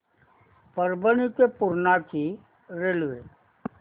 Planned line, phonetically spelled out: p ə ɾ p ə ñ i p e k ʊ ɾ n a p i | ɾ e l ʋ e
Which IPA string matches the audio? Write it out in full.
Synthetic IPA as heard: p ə ɾ b ə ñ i k e p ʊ ɾ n a k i | ɾ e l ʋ e